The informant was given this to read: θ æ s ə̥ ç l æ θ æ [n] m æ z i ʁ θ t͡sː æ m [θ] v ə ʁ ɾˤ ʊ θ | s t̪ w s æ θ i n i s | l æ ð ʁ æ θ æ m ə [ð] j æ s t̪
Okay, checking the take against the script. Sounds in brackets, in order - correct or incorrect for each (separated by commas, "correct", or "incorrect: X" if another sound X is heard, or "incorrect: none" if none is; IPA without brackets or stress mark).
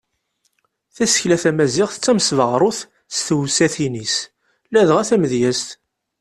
incorrect: none, incorrect: s, correct